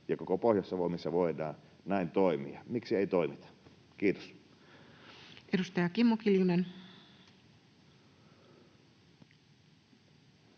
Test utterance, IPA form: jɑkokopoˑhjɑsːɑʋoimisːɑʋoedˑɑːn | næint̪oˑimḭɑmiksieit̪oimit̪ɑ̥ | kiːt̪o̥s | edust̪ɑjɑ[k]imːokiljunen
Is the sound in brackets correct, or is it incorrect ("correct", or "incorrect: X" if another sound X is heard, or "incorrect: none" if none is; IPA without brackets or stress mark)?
correct